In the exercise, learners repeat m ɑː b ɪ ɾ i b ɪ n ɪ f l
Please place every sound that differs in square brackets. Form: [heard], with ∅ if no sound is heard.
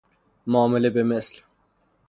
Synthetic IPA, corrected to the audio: m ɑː [m] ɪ [l] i b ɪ [m] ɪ [s] l